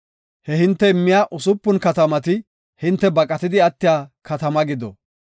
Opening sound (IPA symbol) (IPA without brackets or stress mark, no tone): h